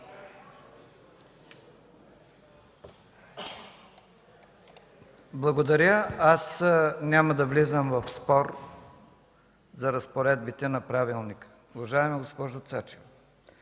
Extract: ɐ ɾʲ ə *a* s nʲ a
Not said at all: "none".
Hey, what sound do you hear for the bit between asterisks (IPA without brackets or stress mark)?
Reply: a